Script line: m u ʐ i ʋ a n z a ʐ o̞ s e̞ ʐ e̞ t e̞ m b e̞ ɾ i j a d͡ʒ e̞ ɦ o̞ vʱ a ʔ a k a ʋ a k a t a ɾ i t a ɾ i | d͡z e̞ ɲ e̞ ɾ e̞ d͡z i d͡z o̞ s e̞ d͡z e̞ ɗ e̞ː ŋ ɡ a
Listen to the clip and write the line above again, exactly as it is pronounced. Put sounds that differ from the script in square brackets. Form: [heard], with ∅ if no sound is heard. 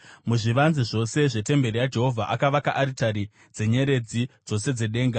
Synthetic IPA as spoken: m u ʐ i ʋ a n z [i] ʐ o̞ s e̞ ʐ e̞ t e̞ m b e̞ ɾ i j a d͡ʒ e̞ ɦ o̞ vʱ a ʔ a k a ʋ a k a [ʔ] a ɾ i t a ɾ i | d͡z e̞ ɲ e̞ ɾ e̞ d͡z i d͡z o̞ s e̞ d͡z e̞ ɗ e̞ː ŋ ɡ a